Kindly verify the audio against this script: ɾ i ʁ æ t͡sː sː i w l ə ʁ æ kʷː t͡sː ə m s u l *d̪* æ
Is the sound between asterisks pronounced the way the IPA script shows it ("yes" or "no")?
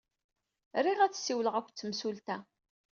no